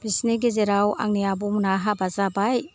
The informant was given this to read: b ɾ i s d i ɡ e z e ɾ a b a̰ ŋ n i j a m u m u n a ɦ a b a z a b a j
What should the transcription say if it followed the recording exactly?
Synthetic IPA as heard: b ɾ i s n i ɡ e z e ɾ a w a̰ ŋ n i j a b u m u n a ɦ a b a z a b a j